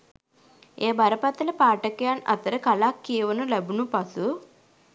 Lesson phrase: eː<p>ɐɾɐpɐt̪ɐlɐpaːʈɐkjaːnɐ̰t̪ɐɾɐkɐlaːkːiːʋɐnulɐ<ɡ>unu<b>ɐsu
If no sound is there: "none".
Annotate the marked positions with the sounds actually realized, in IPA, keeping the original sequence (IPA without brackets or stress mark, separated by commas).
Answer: b, b, p